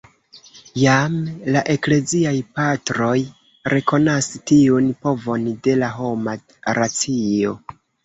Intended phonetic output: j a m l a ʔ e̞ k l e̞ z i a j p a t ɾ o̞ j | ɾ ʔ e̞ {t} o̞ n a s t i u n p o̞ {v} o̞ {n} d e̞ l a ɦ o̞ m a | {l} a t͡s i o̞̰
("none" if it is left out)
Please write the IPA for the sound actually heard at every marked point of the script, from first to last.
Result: k, v, n, ɾ

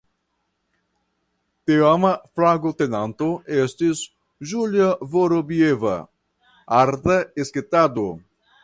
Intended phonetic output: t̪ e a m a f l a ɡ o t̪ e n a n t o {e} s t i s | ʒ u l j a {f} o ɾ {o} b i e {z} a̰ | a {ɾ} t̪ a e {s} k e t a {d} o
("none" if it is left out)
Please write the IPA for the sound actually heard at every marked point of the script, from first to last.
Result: e, v, o, v, ɾ, s, d

